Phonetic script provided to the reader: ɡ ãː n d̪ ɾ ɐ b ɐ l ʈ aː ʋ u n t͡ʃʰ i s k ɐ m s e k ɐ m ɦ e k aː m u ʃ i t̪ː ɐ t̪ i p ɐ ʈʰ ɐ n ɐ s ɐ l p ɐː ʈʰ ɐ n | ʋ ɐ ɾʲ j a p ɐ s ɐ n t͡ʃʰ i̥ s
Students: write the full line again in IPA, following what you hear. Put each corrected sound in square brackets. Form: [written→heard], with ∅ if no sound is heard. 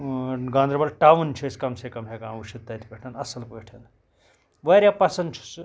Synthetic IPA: ɡ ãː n d̪ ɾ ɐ b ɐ l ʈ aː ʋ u n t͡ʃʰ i s k ɐ m s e k ɐ m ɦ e k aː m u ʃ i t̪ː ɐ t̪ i p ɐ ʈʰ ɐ n ɐ s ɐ l p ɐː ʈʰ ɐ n | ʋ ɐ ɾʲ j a p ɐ s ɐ n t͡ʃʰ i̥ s

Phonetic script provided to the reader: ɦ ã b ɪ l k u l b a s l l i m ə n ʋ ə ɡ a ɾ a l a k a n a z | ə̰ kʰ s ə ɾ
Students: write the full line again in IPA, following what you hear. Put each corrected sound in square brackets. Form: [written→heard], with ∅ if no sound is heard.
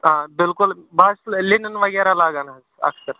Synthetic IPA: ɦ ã b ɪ l k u l b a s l l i [m→n] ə n ʋ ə ɡ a ɾ a l a [k→ɡ] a n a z | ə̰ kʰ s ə ɾ

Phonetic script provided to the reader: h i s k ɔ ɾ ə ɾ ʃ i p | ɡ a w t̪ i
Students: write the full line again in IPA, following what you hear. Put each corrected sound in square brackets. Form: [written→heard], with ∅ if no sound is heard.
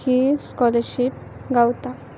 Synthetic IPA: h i s k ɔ [ɾ→l] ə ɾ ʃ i p | ɡ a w t̪ [i→a]

